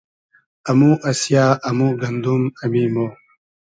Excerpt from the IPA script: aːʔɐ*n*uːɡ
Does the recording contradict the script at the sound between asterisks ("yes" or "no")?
yes